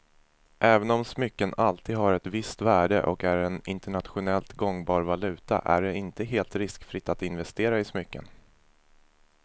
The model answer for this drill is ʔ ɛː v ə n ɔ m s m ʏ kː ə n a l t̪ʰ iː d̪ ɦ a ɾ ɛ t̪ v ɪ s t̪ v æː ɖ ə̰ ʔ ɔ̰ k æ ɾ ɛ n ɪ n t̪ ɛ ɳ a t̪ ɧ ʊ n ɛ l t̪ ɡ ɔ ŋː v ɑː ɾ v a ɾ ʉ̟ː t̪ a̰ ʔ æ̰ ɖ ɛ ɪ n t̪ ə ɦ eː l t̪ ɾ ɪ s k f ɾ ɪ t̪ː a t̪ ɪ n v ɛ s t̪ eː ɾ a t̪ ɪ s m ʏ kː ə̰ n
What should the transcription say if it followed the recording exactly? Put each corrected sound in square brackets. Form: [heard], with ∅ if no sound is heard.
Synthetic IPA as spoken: ʔ ɛː v ə n ɔ m s m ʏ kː ə n a l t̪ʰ iː d̪ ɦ a ɾ ɛ t̪ v ɪ s t̪ v æː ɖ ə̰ ʔ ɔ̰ k æ ɾ ɛ n ɪ n t̪ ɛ ɳ a t̪ ɧ ʊ n ɛ l t̪ ɡ ɔ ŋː [b] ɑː ɾ v a [l] ʉ̟ː t̪ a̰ ʔ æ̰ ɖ ɛ ɪ n t̪ ə ɦ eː l t̪ ɾ ɪ s k f ɾ ɪ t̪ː a t̪ ɪ n v ɛ s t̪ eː ɾ a [∅] ɪ s m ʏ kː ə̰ n